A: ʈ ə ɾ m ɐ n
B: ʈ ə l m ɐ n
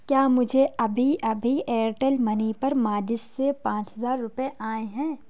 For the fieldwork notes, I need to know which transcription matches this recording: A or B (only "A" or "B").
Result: B